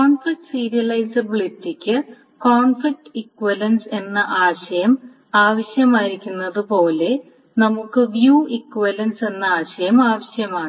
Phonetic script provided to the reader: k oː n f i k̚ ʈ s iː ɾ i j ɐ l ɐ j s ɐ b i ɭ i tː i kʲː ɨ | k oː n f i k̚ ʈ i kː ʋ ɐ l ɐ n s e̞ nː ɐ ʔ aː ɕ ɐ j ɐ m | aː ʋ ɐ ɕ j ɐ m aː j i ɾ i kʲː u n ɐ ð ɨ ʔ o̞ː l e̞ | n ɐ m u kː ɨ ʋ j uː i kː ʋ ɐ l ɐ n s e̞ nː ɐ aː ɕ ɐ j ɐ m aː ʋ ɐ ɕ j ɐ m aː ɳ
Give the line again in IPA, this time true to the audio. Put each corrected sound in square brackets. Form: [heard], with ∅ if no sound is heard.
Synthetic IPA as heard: k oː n f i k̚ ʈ s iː ɾ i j ɐ l ɐ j s ɐ b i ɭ i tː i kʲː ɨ | k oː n f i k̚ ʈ i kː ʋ ɐ l ɐ n s e̞ nː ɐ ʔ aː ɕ ɐ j ɐ m | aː ʋ ɐ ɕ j ɐ m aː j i ɾ i kʲː u [nː] ɐ ð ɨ [p] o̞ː l e̞ | n ɐ m u kː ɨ ʋ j uː i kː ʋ ɐ l ɐ n s e̞ nː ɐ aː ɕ ɐ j ɐ m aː ʋ ɐ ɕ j ɐ m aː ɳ

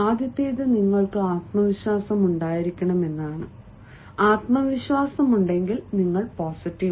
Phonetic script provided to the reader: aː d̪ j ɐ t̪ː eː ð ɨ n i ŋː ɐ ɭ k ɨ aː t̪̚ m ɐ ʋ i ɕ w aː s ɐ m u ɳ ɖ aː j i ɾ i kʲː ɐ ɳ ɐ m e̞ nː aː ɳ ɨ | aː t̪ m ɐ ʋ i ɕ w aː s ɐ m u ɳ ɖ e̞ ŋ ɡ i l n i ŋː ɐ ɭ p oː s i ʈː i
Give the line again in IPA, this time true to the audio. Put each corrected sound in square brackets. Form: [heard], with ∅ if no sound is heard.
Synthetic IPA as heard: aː d̪ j ɐ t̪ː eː ð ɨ n i ŋː ɐ ɭ k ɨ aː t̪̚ m ɐ ʋ i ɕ w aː s ɐ m u ɳ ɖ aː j i ɾ i kʲː ɐ ɳ ɐ m e̞ nː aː ɳ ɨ | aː t̪ m ɐ ʋ i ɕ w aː s ɐ m u ɳ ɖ e̞ ŋ ɡ i l n i ŋː ɐ ɭ p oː s i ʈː i

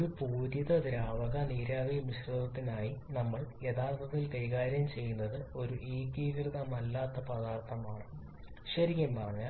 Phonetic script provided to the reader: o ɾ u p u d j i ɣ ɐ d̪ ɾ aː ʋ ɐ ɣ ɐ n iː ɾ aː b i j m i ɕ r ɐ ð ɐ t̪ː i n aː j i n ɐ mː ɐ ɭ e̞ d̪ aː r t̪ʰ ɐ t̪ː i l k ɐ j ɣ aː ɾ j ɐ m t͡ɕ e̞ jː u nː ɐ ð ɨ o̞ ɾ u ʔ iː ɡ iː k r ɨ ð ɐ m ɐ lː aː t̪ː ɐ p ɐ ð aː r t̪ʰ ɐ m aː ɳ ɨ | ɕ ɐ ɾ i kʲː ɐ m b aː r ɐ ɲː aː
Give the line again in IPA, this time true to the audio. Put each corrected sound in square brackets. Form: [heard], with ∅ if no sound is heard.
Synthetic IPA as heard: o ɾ u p [uː] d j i [ð] ɐ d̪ ɾ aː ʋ ɐ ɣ ɐ n iː ɾ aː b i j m i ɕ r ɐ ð ɐ t̪ː i n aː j i n ɐ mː ɐ ɭ e̞ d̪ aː r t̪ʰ ɐ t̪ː i l k ɐ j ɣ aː ɾ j ɐ m t͡ɕ e̞ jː u nː ɐ ð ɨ o̞ ɾ u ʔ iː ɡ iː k r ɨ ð ɐ m ɐ lː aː t̪ː ɐ p ɐ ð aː r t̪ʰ ɐ m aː ɳ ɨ | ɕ ɐ ɾ i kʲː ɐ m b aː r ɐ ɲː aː

